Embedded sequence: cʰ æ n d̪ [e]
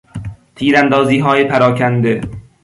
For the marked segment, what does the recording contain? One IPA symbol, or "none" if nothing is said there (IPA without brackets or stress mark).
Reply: e